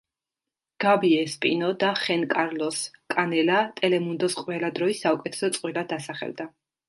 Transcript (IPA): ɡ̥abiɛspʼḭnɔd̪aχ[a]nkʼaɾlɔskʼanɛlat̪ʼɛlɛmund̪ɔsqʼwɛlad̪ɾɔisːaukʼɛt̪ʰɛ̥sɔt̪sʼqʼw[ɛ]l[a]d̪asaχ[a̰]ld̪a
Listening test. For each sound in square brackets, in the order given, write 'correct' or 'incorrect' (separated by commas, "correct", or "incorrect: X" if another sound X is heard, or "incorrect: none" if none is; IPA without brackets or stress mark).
incorrect: ɛ, incorrect: i, correct, incorrect: ɛ̰